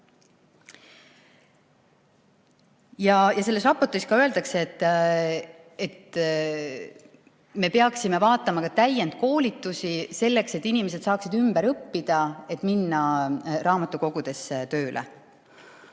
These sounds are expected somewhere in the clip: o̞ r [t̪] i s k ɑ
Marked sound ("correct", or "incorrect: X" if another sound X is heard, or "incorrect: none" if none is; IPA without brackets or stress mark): correct